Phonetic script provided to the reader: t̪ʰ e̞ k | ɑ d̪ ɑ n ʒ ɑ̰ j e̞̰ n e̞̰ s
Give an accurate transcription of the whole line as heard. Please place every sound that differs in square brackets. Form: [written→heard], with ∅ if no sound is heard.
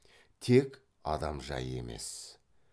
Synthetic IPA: t̪ʰ e̞ k | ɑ d̪ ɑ [n→m] ʒ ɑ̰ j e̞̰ [n→m] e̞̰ s